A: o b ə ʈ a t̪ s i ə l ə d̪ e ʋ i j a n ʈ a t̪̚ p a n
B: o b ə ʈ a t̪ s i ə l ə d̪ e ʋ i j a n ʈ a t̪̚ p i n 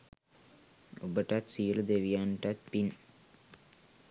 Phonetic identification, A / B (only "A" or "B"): B